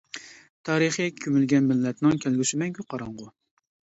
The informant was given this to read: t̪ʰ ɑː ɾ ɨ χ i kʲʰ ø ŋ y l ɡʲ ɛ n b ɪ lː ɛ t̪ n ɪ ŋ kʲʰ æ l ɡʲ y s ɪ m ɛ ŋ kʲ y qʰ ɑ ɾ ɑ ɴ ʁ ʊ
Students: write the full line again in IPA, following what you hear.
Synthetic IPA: t̪ʰ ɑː ɾ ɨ χ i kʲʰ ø m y l ɡʲ ɛ n m ɪ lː ɛ t̪ n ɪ ŋ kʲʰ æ l ɡʲ y s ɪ m ɛ ŋ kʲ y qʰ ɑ ɾ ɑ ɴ ʁ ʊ